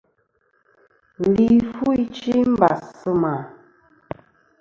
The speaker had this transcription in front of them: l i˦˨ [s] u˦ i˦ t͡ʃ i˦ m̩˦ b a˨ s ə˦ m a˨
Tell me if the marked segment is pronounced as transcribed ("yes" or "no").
no